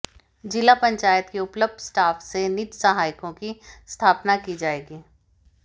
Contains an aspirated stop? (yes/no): yes